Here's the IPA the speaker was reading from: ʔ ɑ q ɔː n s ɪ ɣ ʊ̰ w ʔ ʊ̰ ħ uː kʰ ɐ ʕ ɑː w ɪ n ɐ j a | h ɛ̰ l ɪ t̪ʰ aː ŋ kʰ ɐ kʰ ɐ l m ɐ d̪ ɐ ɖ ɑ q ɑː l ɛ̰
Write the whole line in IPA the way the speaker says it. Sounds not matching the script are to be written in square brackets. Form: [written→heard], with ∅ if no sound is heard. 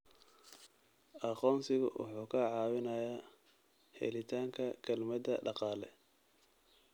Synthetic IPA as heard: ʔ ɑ q ɔː n s ɪ ɣ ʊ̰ w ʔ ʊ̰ ħ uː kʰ ɐ ʕ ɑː w ɪ n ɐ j a | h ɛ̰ l ɪ t̪ʰ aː ŋ kʰ ɐ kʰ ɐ l m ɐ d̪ ɐ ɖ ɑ q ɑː l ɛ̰